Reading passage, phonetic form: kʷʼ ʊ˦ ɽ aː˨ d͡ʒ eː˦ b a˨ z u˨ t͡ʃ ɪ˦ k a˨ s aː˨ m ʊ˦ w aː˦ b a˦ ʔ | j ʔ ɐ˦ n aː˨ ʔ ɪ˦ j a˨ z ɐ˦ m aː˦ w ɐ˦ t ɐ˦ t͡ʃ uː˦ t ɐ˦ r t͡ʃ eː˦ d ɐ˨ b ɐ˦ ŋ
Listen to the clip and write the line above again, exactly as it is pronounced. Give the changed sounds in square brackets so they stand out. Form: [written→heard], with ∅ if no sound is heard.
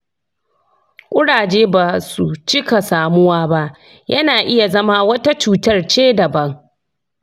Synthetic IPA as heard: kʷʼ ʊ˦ ɽ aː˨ d͡ʒ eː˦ b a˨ [z→s] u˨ t͡ʃ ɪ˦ k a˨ s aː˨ m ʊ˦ w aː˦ b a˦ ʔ | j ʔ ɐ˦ n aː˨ ʔ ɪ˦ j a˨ z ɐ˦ m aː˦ w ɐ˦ t [ɐ˦→a˦] t͡ʃ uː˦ t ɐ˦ r t͡ʃ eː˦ d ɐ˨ b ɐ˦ ŋ